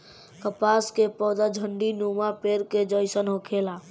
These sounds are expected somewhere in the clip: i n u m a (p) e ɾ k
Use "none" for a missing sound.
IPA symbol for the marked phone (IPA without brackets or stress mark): p